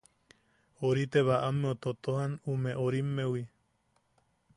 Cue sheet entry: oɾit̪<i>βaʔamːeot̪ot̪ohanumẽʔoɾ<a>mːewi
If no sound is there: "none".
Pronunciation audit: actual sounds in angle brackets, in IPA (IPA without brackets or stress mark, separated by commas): e, i